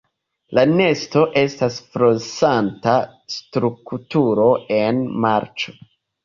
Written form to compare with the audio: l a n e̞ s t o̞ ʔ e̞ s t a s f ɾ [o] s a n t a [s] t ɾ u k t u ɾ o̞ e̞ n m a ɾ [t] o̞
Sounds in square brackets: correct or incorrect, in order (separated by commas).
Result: correct, correct, incorrect